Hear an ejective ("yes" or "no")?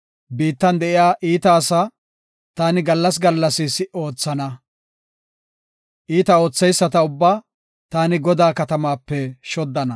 no